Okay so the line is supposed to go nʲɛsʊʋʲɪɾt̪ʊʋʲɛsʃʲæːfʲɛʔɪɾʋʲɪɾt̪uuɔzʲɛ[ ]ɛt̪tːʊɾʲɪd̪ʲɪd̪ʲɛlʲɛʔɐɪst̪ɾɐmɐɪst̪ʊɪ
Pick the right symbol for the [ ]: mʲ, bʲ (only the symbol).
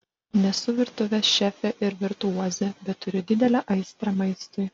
bʲ